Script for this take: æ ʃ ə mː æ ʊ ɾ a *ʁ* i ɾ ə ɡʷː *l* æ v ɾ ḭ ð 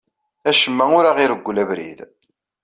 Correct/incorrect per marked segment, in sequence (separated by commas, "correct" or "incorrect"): correct, correct